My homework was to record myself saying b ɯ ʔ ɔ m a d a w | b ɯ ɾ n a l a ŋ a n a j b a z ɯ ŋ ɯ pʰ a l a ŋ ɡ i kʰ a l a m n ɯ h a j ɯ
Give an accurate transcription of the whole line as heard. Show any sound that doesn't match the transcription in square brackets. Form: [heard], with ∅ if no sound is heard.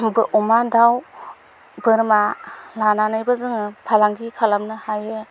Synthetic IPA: b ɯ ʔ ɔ m a d a w | b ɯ ɾ [m] a l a [n] a n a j b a z ɯ ŋ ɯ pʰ a l a ŋ ɡ i kʰ a l a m n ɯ h a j ɯ